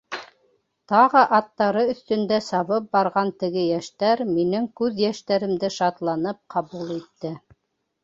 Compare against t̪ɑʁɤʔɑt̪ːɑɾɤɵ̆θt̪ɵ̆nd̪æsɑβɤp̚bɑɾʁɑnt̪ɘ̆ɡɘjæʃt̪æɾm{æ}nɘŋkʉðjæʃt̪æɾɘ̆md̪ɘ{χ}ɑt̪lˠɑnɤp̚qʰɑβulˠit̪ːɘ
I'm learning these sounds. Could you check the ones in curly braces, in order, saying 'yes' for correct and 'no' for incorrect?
no, no

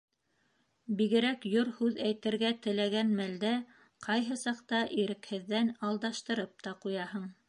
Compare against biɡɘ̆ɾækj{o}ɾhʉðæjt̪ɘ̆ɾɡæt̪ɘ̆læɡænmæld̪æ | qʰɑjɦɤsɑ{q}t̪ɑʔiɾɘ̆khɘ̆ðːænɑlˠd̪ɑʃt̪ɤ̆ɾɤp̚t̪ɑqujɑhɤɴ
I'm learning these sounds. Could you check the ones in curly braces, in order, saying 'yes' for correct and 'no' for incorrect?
yes, yes

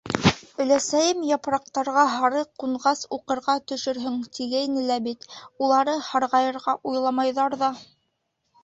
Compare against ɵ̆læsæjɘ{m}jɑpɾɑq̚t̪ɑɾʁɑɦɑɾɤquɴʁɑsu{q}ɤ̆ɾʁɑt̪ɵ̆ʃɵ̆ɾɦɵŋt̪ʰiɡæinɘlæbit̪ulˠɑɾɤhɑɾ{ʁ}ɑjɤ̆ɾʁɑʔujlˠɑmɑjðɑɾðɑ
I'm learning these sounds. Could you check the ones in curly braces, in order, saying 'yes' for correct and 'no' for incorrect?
yes, yes, yes

